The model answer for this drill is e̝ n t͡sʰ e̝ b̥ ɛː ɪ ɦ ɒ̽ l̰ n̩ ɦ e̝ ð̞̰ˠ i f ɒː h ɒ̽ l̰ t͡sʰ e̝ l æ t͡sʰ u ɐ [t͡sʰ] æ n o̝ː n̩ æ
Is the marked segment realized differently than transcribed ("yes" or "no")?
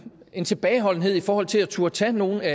no